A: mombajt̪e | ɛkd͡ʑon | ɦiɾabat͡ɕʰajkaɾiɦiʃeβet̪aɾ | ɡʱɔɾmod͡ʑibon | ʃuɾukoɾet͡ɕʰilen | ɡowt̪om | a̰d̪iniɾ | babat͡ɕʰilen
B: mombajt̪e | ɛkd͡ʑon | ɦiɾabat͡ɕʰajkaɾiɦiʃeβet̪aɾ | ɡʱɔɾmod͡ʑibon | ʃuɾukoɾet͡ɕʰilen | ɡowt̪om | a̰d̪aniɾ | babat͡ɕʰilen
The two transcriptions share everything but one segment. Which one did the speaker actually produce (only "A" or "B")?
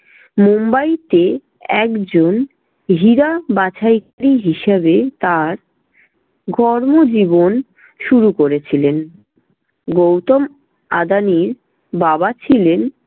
B